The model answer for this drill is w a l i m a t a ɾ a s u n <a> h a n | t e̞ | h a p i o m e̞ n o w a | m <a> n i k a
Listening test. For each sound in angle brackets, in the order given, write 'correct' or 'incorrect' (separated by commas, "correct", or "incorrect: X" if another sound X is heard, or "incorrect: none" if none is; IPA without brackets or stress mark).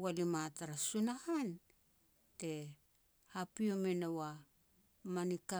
correct, correct